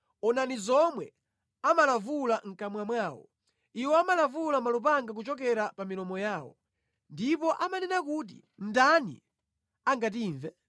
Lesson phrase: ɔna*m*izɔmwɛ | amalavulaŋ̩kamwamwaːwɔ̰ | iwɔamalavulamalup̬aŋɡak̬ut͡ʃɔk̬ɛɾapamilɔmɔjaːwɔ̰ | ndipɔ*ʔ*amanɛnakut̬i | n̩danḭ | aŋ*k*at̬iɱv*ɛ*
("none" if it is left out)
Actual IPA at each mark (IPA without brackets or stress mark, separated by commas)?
n, ʔ, ɡ, ɛ